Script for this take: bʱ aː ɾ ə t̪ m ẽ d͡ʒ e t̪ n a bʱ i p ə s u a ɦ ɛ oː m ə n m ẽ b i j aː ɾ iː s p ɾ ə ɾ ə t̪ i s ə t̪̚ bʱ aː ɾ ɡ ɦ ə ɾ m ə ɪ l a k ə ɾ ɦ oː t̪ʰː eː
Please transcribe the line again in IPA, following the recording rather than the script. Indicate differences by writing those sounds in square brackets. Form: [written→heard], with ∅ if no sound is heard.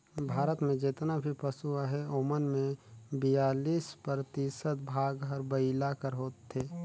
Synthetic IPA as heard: bʱ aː ɾ ə t̪ m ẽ d͡ʒ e t̪ n a bʱ i p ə s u a ɦ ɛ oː m ə n m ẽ b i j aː [ɾ→l] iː s p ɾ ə ɾ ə t̪ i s ə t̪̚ bʱ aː [ɾ→∅] ɡ ɦ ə ɾ [m→b] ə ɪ l a k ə ɾ ɦ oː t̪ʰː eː